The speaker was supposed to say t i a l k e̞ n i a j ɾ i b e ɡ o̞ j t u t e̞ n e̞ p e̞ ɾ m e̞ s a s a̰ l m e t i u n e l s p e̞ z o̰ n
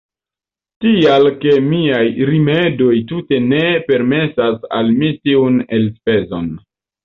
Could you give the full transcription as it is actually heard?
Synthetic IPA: t i a l k e̞ m i a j ɾ i m e d o̞ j t u t e̞ n e̞ p e̞ ɾ m e̞ s a s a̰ l m i t i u n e l s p e̞ z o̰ n